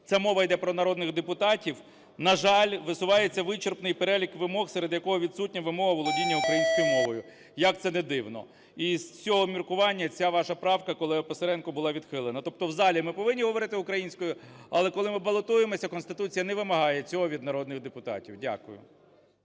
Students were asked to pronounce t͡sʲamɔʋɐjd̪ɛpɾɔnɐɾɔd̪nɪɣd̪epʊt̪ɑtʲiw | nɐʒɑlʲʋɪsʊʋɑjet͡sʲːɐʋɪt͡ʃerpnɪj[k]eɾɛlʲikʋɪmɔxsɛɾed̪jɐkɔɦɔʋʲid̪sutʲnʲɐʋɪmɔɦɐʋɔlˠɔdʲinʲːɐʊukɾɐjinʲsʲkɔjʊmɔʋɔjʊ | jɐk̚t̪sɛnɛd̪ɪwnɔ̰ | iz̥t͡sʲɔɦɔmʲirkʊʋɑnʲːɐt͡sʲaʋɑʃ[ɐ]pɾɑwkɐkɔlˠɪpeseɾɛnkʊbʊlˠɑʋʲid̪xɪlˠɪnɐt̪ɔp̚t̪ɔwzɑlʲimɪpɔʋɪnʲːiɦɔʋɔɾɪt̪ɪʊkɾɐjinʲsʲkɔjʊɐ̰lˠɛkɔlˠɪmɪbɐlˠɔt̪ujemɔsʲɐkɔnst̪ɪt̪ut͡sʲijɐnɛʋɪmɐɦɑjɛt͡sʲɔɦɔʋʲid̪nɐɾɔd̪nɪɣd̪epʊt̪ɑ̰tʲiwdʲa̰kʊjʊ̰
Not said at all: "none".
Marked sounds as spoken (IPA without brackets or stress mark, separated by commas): p, ɐ